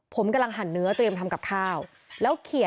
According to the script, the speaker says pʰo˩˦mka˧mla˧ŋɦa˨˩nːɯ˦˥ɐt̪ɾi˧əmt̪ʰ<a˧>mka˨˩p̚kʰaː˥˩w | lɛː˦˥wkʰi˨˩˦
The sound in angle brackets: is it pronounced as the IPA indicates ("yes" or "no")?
yes